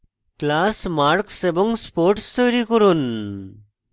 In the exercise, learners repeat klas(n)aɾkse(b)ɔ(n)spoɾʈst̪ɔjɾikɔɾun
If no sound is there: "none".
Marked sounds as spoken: m, b, ŋ

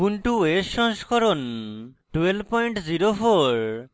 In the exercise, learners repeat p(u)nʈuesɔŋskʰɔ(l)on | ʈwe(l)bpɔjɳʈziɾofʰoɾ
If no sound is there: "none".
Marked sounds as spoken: u, ɾ, l

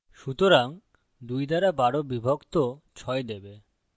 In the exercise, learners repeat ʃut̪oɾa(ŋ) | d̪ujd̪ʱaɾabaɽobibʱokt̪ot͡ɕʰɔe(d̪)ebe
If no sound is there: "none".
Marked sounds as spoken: ŋ, d̪

